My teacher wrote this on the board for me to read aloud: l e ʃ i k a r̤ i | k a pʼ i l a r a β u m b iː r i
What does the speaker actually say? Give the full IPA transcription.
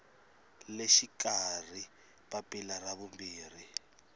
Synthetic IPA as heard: l e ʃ i k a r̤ i | p a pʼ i l a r a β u m b iː r i